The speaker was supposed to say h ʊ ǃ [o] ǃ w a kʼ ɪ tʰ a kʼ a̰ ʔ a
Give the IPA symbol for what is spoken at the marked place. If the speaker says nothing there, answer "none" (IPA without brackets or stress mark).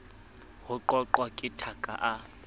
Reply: ɔ